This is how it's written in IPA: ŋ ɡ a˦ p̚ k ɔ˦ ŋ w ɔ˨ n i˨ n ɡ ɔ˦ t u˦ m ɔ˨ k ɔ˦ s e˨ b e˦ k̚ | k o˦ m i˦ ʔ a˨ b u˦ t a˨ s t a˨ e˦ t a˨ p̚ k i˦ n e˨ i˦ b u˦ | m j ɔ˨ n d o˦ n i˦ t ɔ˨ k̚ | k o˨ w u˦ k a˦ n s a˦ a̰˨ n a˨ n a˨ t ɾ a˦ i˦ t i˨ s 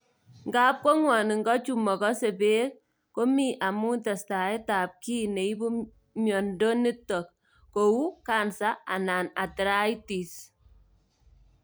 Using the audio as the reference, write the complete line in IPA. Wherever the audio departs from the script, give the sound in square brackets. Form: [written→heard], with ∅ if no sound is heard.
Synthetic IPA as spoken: ŋ ɡ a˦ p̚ k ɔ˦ ŋ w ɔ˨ n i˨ [n→ŋ] ɡ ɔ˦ [t→t͡ʃ] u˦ m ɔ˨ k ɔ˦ s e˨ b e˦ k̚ | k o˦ m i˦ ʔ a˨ [b→m] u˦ t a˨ s t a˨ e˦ t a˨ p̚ k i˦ n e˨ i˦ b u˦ | m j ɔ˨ n d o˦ n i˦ t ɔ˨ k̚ | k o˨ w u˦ k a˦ n s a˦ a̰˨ n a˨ n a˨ t ɾ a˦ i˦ t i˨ s